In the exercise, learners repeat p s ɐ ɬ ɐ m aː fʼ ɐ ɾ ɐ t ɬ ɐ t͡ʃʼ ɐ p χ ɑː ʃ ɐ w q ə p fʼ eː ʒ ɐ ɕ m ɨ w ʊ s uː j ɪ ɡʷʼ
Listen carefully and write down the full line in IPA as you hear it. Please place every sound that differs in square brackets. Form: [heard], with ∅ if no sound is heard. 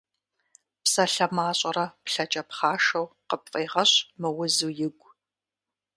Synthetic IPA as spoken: p s ɐ ɬ ɐ m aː [ɕʼ] ɐ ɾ ɐ [p] ɬ ɐ t͡ʃʼ ɐ p χ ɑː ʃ ɐ w q ə p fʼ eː [ʁ] ɐ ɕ m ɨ w ʊ [z] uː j ɪ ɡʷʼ